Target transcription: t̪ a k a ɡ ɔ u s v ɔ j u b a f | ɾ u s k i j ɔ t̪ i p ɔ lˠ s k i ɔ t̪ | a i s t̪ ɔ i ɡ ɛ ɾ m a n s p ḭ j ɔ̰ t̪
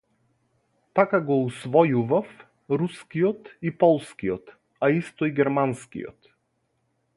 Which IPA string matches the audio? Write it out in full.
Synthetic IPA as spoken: t̪ a k a ɡ ɔ u s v ɔ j u v a f | ɾ u s k i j ɔ t̪ i p ɔ lˠ s k i ɔ t̪ | a i s t̪ ɔ i ɡ ɛ ɾ m a n s k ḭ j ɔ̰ t̪